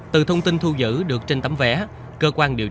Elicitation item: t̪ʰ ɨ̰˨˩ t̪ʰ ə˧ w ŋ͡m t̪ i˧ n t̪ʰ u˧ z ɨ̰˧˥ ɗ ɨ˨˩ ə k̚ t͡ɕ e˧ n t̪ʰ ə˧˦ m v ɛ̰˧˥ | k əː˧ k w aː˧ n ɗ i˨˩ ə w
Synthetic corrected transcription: t̪ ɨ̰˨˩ t̪ʰ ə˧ w ŋ͡m t̪ i˧ n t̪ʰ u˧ z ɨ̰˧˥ ɗ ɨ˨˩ ə k̚ t͡ɕ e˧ n t̪ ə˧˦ m v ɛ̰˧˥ | k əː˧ k w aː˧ n ɗ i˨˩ ə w